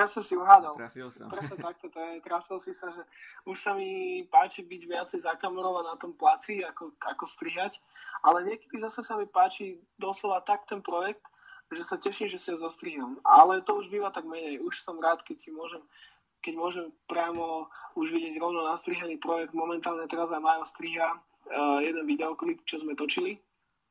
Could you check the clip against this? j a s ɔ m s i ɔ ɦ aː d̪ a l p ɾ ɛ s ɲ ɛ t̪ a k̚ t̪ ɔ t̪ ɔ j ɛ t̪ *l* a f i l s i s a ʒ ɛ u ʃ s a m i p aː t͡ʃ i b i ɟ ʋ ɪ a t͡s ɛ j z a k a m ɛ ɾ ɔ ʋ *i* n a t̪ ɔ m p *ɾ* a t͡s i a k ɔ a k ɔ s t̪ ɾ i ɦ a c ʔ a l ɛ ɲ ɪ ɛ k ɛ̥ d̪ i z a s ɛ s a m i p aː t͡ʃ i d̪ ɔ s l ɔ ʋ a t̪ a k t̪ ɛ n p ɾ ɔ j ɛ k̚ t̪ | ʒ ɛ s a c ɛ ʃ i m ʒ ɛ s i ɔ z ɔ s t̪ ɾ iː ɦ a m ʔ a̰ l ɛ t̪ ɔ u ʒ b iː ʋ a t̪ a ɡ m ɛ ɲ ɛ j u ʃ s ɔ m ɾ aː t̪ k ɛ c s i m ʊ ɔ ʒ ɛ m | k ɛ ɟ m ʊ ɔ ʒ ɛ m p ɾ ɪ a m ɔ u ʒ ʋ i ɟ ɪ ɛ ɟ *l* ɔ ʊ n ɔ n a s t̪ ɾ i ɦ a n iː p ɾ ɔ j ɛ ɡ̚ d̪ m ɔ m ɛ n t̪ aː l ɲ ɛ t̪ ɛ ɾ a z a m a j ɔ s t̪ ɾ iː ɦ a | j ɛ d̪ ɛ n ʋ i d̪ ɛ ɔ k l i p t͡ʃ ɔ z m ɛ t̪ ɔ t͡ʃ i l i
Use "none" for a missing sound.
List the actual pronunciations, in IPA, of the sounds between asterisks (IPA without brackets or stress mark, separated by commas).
ɾ, a, l, ɾ